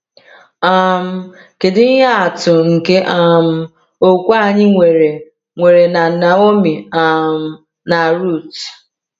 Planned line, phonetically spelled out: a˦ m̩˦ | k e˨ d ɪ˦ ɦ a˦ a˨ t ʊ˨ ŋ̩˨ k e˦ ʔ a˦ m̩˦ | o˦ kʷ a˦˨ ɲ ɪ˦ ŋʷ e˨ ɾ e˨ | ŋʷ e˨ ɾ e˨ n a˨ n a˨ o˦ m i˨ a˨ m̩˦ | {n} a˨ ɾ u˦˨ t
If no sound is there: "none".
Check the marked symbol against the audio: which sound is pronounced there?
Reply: n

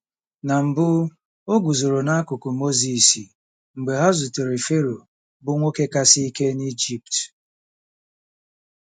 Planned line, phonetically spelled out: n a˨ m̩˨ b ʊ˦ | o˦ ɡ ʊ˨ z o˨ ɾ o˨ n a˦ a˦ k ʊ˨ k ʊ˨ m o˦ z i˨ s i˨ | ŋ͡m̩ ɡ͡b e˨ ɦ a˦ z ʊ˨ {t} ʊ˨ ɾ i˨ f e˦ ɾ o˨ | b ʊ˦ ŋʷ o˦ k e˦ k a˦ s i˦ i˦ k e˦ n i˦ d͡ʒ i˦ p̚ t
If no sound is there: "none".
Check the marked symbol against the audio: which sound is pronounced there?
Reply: t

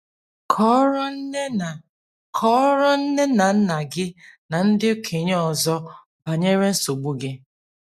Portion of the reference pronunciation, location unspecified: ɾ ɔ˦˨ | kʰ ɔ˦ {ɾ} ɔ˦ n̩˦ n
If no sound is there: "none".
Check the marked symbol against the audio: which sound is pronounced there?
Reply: ɾ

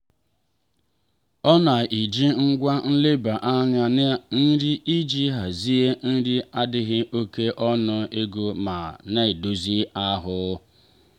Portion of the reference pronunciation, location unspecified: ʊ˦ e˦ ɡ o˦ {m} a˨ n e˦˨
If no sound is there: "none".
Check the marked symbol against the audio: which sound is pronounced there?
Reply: m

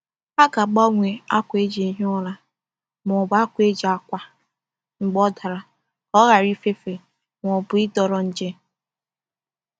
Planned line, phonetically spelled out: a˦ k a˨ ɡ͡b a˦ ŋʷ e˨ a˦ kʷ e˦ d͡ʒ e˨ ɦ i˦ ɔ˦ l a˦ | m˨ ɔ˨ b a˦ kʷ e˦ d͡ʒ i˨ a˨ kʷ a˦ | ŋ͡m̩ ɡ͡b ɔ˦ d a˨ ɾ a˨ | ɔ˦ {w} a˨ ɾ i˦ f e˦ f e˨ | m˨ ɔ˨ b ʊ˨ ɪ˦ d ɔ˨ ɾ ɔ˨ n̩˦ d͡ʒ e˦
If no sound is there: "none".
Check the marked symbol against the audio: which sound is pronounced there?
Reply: ɣ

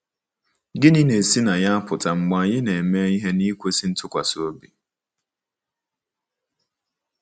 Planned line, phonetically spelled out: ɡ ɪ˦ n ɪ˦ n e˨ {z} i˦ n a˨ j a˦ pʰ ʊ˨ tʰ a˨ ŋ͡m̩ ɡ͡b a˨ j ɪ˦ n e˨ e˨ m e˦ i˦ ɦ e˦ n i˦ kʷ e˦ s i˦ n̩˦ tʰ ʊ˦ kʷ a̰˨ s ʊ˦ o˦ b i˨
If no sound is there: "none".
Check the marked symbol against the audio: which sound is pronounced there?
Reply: s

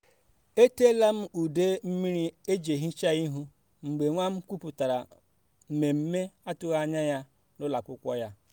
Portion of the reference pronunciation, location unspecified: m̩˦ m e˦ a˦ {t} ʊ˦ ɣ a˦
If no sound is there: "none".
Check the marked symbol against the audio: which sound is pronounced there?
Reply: t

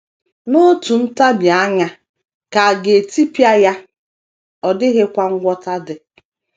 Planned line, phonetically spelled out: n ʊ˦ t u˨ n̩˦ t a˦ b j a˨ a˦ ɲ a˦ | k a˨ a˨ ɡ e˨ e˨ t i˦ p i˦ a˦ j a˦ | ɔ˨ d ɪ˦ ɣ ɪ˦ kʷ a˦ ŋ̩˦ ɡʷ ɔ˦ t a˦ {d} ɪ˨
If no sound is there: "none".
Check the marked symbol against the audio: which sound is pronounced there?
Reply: d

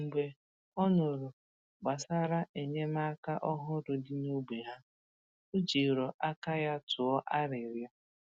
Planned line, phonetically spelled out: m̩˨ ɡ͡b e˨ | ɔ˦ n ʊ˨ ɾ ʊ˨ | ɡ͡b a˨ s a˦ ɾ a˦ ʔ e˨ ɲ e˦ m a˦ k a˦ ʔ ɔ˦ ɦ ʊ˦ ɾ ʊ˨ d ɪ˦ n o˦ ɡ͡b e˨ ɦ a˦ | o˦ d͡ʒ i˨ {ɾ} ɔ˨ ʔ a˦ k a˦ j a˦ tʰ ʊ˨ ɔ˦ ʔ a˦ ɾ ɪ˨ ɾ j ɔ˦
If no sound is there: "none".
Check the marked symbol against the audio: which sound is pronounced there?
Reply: ɾ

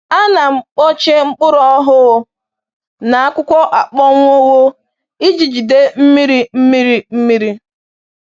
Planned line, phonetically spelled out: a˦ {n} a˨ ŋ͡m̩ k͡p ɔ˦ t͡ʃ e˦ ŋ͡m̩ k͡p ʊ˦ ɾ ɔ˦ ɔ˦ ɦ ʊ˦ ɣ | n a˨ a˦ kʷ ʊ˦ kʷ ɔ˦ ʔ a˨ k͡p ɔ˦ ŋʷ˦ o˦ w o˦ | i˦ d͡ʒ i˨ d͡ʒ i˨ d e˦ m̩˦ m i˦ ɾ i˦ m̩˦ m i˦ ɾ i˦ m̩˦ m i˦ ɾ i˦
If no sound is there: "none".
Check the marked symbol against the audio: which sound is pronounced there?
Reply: n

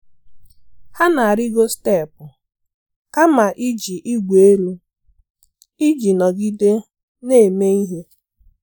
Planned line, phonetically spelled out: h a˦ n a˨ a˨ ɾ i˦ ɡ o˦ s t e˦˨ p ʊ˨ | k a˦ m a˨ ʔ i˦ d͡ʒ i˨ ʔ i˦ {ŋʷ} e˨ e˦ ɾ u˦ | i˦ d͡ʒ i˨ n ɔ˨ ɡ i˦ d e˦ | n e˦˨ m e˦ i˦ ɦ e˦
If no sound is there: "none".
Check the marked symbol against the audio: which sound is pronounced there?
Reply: ɡʷ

